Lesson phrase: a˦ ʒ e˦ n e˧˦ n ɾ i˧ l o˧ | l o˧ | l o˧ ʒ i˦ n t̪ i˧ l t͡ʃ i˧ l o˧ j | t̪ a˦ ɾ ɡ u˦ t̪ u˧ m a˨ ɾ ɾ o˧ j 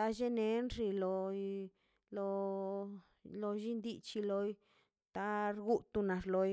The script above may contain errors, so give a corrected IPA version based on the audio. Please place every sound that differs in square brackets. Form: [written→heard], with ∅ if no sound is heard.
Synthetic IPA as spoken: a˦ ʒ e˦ n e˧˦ n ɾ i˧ l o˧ | l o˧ | l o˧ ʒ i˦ n [t̪→d̪] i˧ [l→∅] t͡ʃ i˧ l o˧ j | t̪ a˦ ɾ ɡ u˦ t̪ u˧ [m→n] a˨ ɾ [ɾ→l] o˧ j